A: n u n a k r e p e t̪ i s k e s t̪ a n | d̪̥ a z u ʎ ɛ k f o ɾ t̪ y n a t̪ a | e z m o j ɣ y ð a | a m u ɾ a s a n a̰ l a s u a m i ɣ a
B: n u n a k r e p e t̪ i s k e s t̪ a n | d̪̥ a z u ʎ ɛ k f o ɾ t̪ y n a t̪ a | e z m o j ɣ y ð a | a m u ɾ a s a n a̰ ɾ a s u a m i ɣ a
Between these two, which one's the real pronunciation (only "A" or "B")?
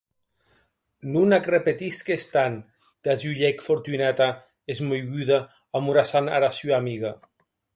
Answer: B